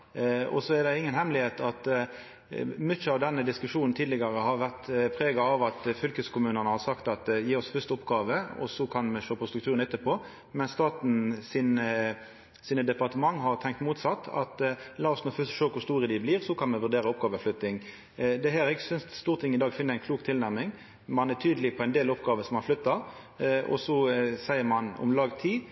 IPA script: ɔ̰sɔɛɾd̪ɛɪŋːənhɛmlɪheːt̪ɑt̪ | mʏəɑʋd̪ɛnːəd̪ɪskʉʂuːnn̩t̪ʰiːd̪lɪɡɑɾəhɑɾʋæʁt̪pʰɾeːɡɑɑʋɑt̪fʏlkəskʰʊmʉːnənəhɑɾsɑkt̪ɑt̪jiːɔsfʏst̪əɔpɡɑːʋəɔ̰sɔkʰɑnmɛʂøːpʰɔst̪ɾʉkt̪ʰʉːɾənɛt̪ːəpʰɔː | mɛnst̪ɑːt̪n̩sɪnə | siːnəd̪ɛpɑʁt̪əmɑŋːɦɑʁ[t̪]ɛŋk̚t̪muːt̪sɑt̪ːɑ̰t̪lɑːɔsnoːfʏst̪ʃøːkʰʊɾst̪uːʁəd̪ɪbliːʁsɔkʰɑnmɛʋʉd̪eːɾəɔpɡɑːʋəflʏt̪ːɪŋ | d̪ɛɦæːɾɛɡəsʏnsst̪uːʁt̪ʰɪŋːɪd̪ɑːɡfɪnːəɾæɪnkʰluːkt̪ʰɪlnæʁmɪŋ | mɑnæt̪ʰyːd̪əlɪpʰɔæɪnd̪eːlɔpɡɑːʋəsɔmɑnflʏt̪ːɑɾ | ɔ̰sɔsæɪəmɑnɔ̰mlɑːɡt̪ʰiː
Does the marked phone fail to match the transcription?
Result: yes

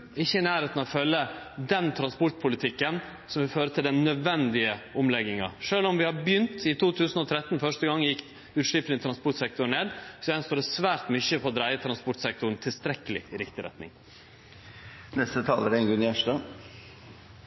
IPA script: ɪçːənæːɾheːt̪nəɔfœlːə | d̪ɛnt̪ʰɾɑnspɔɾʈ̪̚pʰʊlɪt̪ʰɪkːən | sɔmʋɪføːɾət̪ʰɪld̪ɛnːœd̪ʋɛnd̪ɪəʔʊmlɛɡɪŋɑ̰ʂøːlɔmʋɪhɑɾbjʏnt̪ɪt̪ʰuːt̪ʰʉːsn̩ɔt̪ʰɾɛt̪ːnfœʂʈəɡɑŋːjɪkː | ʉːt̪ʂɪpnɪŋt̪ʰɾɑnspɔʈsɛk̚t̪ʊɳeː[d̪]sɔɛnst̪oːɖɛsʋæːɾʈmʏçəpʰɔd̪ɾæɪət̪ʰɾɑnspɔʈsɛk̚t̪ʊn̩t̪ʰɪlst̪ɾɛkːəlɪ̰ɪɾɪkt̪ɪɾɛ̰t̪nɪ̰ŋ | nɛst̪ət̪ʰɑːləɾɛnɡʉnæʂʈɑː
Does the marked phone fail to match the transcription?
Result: no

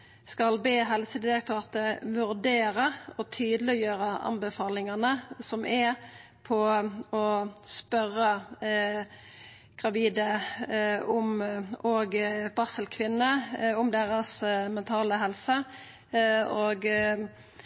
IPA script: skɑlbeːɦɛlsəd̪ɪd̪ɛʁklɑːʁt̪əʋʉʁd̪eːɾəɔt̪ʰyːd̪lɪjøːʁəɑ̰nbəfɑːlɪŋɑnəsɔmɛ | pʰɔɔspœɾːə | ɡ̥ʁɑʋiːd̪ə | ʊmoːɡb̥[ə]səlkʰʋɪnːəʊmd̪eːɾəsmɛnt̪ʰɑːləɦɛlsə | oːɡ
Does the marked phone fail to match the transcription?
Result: yes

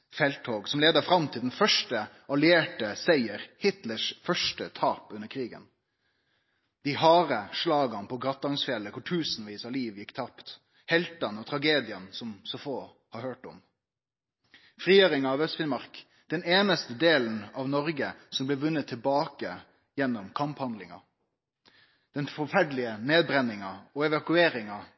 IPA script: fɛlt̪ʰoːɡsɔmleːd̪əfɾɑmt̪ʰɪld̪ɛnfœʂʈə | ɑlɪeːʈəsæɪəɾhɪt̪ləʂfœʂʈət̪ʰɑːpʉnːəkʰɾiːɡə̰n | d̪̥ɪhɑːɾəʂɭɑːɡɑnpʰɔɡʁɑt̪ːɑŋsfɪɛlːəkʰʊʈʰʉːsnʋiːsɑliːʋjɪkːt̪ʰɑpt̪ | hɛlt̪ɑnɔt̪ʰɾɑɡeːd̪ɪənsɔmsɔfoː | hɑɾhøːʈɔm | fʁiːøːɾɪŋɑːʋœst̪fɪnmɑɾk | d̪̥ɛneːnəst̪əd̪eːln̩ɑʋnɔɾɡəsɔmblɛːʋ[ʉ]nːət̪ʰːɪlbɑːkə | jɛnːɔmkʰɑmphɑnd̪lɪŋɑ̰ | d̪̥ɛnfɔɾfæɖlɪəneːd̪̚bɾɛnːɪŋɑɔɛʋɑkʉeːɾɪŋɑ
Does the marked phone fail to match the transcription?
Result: no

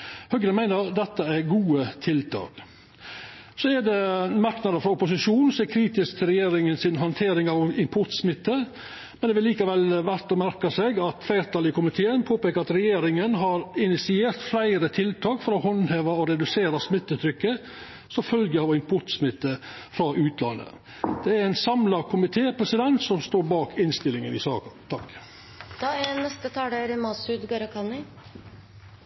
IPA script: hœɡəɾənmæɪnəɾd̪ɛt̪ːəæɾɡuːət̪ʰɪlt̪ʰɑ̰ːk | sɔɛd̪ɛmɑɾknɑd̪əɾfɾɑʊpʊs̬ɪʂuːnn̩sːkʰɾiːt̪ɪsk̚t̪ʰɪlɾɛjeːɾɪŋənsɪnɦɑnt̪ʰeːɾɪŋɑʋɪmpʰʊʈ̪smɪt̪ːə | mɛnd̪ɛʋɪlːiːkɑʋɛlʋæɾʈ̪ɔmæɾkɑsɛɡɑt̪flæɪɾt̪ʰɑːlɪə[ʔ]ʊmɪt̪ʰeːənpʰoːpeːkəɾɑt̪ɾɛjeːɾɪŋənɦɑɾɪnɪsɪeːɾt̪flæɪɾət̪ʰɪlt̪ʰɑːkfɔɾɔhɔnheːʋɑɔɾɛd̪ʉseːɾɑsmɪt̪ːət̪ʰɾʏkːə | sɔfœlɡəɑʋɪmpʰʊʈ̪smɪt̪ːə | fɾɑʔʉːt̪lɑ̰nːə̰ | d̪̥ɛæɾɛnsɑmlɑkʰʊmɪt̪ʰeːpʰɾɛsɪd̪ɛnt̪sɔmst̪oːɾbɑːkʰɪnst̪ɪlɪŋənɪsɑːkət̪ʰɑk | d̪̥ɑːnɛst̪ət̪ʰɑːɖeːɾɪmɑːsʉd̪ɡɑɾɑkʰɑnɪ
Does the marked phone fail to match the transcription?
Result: yes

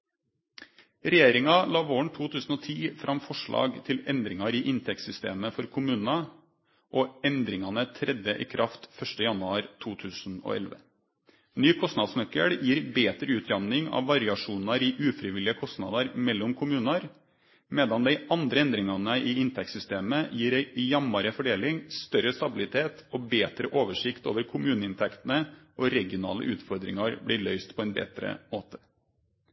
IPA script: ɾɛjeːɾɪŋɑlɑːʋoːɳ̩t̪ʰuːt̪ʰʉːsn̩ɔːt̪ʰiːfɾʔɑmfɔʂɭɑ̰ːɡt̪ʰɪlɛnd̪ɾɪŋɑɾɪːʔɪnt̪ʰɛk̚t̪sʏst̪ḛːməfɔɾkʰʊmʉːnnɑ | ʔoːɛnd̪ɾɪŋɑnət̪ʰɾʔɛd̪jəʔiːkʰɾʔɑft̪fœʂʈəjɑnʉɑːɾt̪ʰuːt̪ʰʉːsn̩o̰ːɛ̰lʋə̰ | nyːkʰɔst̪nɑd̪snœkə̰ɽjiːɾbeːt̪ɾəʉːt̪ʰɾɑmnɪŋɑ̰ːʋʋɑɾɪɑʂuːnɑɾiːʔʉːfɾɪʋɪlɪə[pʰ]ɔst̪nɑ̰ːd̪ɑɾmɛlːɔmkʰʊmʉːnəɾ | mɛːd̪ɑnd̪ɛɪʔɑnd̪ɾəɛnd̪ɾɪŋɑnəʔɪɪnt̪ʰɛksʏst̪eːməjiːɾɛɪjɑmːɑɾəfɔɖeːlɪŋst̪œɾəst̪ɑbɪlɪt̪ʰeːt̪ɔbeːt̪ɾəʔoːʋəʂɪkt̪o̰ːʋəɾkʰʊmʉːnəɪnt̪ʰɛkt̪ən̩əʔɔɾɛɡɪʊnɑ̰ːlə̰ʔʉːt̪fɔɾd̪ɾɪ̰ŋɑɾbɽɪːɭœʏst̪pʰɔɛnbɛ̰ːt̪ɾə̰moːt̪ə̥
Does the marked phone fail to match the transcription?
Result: yes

